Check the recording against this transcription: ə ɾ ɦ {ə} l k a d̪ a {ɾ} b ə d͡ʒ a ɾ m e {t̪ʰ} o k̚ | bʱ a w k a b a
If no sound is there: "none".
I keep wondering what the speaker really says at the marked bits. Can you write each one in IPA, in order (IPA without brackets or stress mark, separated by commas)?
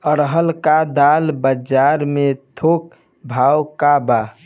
ə, l, t̪ʰ